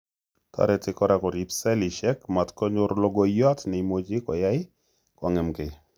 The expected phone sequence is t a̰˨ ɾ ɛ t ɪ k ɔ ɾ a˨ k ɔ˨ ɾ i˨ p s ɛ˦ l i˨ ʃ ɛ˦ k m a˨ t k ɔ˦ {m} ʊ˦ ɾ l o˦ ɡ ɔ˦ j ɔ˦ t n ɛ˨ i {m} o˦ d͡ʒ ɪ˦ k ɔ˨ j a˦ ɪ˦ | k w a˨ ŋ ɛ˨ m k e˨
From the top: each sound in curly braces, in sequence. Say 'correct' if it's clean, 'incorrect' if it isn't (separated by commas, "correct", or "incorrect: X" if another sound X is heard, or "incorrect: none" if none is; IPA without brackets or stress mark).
incorrect: ɲ, correct